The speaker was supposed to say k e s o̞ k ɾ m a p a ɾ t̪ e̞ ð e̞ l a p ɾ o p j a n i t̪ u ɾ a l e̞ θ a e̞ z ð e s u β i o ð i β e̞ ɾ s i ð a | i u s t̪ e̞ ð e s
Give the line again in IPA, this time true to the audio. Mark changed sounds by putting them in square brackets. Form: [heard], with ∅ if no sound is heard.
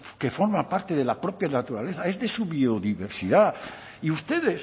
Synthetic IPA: k e [f] o̞ [∅] ɾ m a p a ɾ t̪ e̞ ð e̞ l a p ɾ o p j a n [a] t̪ u ɾ a l e̞ θ a e̞ z ð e s u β i o ð i β e̞ ɾ s i ð a | i u s t̪ e̞ ð e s